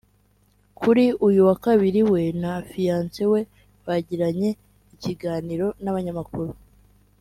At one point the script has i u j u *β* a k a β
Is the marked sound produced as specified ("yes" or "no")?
no